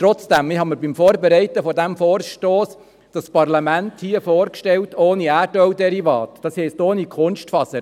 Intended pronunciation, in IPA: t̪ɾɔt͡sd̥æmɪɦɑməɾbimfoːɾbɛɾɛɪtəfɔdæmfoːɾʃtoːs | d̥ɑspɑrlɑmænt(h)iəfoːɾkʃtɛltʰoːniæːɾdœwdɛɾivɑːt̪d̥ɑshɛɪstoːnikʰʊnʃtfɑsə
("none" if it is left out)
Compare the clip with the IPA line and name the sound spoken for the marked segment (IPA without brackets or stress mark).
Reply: h